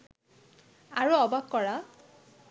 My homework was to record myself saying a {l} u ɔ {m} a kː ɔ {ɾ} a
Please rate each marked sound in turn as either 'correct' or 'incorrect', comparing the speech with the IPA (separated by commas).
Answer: incorrect, incorrect, incorrect